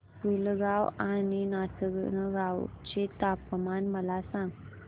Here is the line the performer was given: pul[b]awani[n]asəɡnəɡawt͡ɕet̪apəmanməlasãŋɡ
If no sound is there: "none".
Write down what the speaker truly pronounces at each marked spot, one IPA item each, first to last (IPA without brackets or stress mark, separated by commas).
ɡ, n